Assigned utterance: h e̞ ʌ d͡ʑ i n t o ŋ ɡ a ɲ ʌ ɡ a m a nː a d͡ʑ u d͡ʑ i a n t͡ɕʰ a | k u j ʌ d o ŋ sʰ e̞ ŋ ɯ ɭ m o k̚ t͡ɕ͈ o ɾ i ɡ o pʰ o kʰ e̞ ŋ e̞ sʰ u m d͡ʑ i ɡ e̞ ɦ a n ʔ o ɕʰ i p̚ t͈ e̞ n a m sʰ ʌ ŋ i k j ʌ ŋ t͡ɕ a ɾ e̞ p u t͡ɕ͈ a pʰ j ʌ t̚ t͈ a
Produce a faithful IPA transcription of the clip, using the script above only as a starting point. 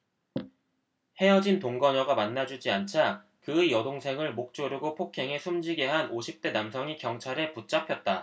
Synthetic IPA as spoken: h e̞ ʌ d͡ʑ i n t o ŋ ɡ ʌ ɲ ʌ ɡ a m a nː a d͡ʑ u d͡ʑ i a n t͡ɕʰ a | k ɯ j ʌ d o ŋ sʰ e̞ ŋ ɯ ɭ m o k̚ t͡ɕ͈ o ɾ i ɡ o pʰ o kʰ e̞ ŋ e̞ sʰ u m d͡ʑ i ɡ e̞ ɦ a n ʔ o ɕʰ i p̚ t͈ e̞ n a m sʰ ʌ ŋ i k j ʌ ŋ t͡ɕʰ a ɾ e̞ p u t͡ɕ͈ a pʰ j ʌ t̚ t͈ a